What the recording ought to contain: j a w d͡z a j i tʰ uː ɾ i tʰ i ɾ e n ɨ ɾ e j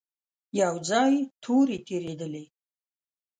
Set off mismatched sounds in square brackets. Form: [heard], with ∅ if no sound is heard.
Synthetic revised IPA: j a w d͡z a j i tʰ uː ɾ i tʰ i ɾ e [d] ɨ [l] e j